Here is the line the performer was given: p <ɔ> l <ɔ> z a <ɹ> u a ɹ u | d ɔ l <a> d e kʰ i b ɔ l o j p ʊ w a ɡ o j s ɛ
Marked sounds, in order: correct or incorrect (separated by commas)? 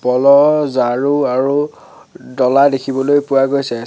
correct, correct, correct, correct